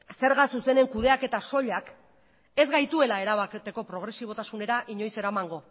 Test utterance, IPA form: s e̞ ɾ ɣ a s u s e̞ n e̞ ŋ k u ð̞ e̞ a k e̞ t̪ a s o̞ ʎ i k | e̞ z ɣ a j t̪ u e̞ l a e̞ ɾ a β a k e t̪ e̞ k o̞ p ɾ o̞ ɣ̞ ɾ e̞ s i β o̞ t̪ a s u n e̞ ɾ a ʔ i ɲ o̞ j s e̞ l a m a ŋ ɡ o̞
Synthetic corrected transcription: s e̞ ɾ ɣ a s u s e̞ n e̞ ŋ k u ð̞ e̞ a k e̞ t̪ a s o̞ ʎ a k | e̞ z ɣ a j t̪ u e̞ l a e̞ ɾ a β a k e t̪ e̞ k o̞ p ɾ o̞ ɣ̞ ɾ e̞ s i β o̞ t̪ a s u n e̞ ɾ a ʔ i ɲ o̞ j s e̞ ɾ a m a ŋ ɡ o̞